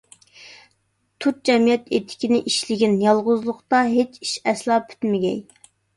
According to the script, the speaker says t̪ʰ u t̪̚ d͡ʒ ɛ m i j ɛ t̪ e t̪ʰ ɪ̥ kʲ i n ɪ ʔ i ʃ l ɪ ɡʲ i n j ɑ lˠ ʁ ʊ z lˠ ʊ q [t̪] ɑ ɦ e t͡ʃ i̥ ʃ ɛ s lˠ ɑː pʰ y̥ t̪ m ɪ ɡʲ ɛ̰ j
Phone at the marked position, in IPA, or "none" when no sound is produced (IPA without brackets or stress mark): t̪